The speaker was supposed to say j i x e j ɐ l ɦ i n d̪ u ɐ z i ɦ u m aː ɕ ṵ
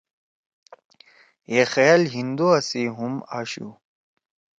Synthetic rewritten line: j e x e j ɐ l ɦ i n d̪ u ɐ s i ɦ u m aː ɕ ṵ

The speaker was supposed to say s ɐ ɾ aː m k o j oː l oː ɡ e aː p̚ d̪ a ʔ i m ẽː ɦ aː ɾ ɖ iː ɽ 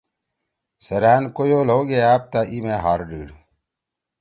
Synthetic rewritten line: s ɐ ɾ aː n k o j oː l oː ɡ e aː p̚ t̪ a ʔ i m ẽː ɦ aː ɾ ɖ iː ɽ

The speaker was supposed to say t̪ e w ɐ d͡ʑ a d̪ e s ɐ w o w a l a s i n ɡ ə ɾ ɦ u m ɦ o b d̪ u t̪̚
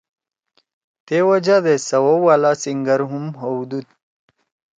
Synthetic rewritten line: t̪ e w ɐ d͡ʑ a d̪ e s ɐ w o w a l a s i ŋ ɡ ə ɾ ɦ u m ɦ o w d̪ u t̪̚

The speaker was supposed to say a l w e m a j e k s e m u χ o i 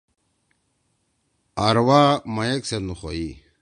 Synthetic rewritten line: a ɾ w a m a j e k s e n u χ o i

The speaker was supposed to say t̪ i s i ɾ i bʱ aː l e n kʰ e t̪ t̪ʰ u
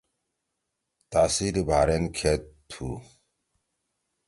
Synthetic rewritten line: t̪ a s i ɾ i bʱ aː ɾ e n kʰ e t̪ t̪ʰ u

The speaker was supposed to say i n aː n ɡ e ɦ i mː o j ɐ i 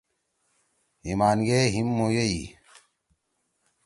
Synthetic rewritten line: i m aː n ɡ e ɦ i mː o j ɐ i

